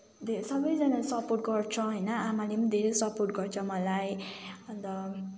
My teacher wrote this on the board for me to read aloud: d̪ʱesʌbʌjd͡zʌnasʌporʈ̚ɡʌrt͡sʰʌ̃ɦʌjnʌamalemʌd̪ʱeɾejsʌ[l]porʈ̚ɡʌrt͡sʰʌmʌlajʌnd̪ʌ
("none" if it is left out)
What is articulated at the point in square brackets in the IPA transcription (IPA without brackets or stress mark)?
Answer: none